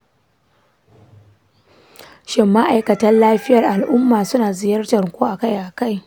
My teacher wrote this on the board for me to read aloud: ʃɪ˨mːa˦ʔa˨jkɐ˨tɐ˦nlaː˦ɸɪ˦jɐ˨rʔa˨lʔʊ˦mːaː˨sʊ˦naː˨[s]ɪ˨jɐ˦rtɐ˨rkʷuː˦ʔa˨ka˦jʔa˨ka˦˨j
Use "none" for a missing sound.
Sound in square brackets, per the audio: z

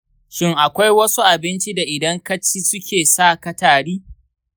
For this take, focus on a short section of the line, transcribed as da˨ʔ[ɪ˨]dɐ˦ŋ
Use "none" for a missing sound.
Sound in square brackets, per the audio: ɪ˨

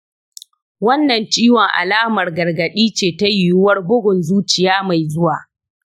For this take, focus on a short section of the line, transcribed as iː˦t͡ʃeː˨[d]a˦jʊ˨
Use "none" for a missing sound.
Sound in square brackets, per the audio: t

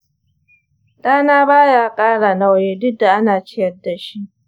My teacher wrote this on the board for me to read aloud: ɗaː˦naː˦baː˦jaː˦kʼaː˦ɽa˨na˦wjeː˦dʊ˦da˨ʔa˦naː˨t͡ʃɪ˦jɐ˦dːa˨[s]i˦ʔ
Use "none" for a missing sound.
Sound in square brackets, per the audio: ʃ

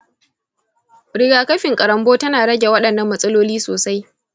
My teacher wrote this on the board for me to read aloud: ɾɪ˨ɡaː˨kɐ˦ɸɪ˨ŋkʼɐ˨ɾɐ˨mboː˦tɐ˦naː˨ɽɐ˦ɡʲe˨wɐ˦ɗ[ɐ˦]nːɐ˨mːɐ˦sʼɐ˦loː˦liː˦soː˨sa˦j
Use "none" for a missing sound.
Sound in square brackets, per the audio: ɐ˨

